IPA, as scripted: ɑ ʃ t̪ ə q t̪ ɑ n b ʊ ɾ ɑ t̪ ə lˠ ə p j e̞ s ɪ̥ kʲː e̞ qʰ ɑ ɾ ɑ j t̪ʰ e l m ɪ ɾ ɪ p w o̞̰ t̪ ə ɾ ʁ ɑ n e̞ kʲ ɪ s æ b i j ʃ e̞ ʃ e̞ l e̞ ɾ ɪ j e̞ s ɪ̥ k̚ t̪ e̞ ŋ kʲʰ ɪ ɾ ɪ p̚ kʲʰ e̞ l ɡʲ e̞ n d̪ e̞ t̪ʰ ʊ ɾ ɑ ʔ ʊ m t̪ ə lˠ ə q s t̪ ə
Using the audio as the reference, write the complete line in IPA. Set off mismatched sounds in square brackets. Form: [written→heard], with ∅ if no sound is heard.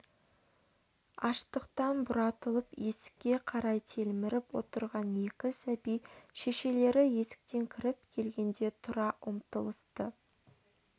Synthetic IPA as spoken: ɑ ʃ t̪ ə q t̪ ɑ n b ʊ ɾ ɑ t̪ ə lˠ ə p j e̞ s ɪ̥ kʲː e̞ qʰ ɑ ɾ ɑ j t̪ʰ e l m ɪ ɾ ɪ p w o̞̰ t̪ ə ɾ ʁ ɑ n e̞ kʲ ɪ s æ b i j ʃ e̞ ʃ e̞ l e̞ ɾ ɪ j e̞ s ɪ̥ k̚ t̪ e̞ ŋ kʲʰ ɪ ɾ ɪ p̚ kʲʰ e̞ l ɡʲ e̞ n d̪ e̞ t̪ʰ ʊ ɾ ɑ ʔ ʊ m t̪ ə lˠ ə [q→∅] s t̪ ə